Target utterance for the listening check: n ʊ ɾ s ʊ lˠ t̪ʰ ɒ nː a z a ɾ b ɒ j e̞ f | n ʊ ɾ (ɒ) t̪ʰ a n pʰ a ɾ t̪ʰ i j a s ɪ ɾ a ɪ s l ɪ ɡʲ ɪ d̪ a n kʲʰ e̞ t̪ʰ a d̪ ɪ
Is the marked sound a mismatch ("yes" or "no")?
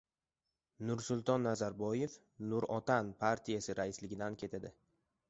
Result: no